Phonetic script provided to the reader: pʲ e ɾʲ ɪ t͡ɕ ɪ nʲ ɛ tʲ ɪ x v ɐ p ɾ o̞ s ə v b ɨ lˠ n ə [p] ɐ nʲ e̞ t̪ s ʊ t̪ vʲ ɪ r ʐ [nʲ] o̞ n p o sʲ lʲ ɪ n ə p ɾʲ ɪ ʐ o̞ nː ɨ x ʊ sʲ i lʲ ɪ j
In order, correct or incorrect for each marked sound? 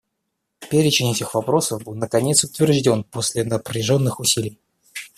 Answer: incorrect: k, incorrect: dʲ

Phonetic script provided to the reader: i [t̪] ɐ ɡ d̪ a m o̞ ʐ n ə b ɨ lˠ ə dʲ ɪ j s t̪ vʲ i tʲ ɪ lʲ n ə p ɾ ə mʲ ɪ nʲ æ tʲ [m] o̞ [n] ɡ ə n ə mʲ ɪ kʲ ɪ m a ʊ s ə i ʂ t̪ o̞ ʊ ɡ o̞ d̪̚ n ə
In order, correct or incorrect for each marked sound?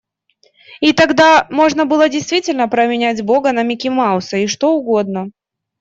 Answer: correct, incorrect: b, incorrect: none

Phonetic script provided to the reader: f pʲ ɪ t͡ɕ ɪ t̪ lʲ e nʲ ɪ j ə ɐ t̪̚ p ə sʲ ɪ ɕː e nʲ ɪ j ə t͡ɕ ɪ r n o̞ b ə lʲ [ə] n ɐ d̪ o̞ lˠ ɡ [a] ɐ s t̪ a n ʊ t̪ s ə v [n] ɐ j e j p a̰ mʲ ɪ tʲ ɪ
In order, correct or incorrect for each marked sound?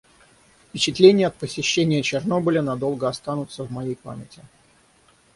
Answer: correct, incorrect: ə, incorrect: m

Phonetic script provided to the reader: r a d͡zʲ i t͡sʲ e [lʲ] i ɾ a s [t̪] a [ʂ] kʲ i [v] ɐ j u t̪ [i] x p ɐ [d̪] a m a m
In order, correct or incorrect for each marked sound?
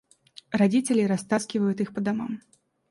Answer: correct, correct, incorrect: s, correct, correct, correct

